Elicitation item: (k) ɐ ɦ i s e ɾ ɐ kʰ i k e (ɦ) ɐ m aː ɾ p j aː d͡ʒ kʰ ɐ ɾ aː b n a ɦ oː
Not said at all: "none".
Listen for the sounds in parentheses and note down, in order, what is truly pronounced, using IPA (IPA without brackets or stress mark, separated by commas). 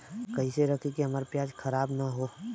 k, ɦ